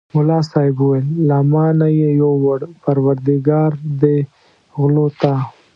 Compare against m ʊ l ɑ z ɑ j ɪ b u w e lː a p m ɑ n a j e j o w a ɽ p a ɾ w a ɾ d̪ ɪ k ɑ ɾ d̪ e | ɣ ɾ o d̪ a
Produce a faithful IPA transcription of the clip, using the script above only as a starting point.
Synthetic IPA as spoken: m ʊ l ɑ s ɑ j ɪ b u w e lː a m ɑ n a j e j o w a ɽ p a ɾ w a ɾ d̪ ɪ ɡ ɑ ɾ d̪ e | ɣ l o t̪ a